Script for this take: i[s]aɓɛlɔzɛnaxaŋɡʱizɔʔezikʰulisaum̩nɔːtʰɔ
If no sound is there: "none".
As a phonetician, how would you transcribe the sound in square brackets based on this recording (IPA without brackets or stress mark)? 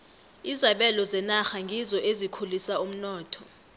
z